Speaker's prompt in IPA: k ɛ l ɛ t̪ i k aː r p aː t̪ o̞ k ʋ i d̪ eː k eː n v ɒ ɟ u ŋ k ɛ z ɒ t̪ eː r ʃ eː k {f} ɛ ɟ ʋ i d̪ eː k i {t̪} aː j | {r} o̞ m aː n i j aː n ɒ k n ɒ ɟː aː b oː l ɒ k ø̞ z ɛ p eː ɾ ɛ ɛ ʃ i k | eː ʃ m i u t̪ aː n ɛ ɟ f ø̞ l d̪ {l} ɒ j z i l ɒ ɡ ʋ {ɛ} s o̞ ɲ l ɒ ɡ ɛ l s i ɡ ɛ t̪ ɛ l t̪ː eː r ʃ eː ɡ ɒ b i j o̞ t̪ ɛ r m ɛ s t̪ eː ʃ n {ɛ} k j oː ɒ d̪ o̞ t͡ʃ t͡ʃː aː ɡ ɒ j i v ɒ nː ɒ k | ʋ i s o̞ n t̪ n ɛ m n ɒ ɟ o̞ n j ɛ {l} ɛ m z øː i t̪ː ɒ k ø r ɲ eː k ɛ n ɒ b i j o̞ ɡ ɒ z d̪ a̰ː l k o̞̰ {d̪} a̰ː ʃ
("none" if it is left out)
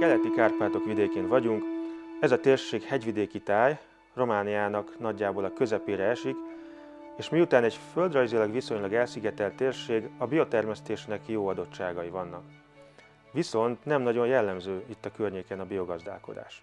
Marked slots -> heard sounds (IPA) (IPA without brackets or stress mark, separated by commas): h, t̪, r, r, i, ɛ, lː, d̪